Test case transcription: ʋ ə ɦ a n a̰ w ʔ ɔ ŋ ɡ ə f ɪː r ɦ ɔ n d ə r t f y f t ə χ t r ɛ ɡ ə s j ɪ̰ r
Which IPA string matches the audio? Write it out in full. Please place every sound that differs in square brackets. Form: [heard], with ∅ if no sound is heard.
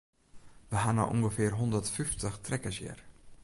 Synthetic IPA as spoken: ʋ ə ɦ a n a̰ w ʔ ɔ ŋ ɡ ə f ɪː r ɦ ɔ n d ə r t f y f t ə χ t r ɛ [k] ə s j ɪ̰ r